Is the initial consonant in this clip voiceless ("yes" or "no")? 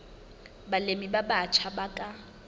no